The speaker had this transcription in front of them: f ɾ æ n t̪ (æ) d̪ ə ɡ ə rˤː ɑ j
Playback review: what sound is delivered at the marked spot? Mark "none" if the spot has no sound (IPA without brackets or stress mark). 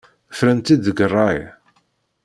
i